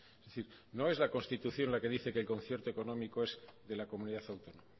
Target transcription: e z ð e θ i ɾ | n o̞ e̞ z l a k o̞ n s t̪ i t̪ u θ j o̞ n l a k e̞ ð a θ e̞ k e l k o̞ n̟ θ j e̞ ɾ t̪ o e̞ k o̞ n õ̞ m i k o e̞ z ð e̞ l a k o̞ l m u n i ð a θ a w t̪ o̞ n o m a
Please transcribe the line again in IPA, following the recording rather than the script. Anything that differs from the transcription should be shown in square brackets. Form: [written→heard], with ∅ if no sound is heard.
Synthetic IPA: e z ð e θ i ɾ | n o̞ e̞ z l a k o̞ n s t̪ i t̪ u θ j o̞ n l a k e̞ ð [a→i] θ e̞ k e l k o̞ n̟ θ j e̞ ɾ t̪ o e̞ k o̞ n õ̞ m i k o e̞ z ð e̞ l a k o̞ [l→∅] m u n i ð a θ a w t̪ o̞ n o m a